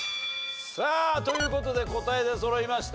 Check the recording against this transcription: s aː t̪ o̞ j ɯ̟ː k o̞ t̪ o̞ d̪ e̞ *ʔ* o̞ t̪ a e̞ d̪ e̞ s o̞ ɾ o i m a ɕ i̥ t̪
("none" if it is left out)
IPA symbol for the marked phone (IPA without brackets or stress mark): k